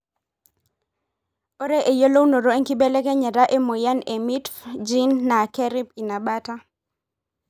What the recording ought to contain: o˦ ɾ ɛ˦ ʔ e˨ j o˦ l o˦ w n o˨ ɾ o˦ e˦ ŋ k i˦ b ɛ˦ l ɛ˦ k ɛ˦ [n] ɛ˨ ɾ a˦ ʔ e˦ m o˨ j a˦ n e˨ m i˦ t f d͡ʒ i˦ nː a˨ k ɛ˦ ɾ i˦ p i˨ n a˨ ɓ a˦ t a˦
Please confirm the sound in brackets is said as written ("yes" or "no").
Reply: no